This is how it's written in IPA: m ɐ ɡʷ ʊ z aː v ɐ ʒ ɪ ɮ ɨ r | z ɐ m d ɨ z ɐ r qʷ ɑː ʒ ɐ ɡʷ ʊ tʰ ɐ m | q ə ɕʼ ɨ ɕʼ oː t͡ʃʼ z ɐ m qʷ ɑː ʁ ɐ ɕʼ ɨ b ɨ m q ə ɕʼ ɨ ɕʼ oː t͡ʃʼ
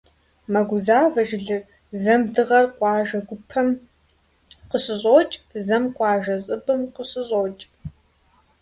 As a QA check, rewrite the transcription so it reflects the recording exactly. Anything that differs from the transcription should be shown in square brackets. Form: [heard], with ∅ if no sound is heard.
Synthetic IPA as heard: m ɐ ɡʷ ʊ z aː v ɐ ʒ ɪ ɮ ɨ r | z ɐ m d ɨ [ʁ] ɐ r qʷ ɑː ʒ ɐ ɡʷ ʊ [pʰ] ɐ m | q ə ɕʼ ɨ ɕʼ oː t͡ʃʼ z ɐ m qʷ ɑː [ʒ] ɐ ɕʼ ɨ b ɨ m q ə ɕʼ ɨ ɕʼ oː t͡ʃʼ